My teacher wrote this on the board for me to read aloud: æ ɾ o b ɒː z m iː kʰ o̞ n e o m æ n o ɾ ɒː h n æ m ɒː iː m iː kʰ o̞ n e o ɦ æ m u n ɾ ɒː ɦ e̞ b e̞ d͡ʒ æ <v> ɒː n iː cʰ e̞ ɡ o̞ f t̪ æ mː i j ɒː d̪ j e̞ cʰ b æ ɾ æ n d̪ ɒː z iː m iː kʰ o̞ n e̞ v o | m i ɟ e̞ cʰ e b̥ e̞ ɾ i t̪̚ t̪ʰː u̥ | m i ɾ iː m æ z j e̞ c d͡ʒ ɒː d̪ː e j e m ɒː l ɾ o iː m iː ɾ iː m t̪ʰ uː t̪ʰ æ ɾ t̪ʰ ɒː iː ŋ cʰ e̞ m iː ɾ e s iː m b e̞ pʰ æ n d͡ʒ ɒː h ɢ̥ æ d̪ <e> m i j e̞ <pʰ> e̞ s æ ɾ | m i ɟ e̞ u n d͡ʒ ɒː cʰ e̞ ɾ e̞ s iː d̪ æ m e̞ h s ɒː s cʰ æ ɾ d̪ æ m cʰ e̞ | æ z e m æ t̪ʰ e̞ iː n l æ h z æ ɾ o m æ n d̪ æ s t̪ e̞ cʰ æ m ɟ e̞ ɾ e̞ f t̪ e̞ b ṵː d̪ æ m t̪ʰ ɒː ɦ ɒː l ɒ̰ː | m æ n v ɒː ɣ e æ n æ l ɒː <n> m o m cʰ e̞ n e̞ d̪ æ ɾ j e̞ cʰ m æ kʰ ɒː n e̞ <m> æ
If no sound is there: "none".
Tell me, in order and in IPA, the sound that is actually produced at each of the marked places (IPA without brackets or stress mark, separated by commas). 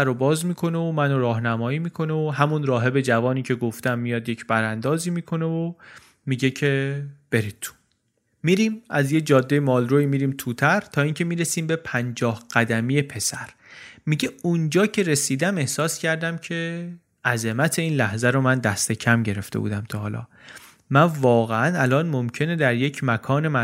v, æ, pʰ, n, m